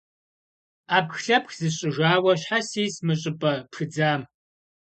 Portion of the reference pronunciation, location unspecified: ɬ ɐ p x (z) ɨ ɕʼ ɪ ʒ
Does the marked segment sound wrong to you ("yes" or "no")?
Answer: no